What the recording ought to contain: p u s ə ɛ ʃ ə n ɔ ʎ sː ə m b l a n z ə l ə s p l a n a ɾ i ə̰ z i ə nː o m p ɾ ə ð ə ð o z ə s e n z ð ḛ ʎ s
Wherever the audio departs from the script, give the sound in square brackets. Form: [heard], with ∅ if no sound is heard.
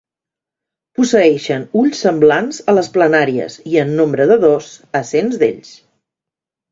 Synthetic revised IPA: p u s ə ɛ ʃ ə n [u] ʎ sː ə m b l a n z ə l ə s p l [ə] n a ɾ i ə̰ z i ə nː o m [b] ɾ ə ð ə ð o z ə s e n z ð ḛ ʎ s